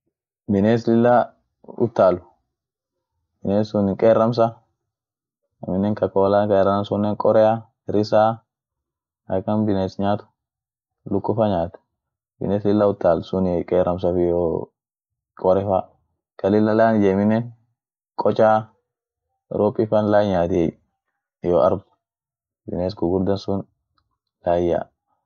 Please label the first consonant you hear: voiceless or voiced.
voiced